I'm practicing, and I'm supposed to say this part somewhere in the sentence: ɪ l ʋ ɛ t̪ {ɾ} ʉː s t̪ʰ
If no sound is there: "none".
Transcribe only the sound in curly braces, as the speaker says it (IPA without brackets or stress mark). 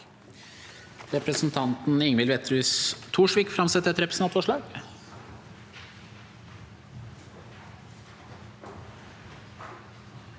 ɾ